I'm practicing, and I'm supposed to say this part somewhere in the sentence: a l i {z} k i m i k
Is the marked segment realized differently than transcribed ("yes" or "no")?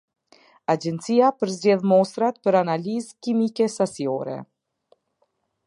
no